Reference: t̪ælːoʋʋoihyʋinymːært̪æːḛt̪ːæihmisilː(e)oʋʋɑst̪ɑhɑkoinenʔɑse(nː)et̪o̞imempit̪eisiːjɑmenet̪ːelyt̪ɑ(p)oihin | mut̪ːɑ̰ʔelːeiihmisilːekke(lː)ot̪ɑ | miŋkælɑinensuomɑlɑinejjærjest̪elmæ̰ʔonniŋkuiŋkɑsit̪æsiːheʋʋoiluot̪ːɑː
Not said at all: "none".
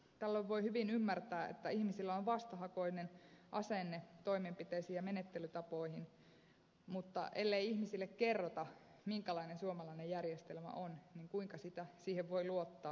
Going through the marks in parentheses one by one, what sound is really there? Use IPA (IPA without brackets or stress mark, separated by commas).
æ, nː, p, rː